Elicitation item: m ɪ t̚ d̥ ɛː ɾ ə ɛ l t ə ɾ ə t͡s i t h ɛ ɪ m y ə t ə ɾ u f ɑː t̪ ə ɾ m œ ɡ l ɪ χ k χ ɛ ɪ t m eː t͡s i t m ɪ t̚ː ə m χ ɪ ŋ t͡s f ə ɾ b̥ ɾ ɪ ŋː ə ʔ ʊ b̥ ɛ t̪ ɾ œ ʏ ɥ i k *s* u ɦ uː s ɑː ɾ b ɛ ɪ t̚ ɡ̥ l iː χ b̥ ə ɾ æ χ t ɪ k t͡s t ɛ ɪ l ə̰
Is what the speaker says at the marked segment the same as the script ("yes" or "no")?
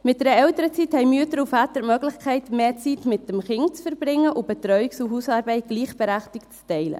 yes